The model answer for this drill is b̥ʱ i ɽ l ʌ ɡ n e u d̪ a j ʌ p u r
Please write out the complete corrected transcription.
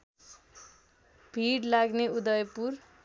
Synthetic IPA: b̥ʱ i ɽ l a ɡ n e u d̪ ʌ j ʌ p u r